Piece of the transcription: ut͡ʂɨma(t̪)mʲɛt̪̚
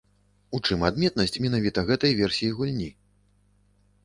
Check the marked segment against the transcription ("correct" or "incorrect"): incorrect